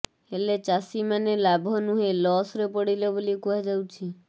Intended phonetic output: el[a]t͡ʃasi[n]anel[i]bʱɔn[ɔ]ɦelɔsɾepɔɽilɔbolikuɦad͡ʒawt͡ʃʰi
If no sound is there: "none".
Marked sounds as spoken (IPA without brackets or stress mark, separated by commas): e, m, a, u